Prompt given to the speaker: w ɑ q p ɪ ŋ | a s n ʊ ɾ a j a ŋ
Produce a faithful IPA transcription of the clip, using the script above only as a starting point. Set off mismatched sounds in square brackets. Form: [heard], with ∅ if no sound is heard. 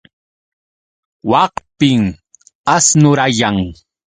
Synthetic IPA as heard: w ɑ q p ɪ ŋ | a s n ʊ ɾ a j a ŋ